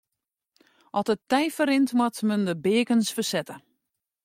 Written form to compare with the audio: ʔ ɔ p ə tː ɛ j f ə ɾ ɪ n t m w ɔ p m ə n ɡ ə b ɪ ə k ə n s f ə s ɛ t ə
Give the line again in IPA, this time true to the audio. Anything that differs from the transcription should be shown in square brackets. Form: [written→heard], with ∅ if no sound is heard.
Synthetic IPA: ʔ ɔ [p→t] ə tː ɛ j f ə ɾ ɪ n t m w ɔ [p→t] m ə n [ɡ→d] ə b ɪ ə k ə n s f ə s ɛ t ə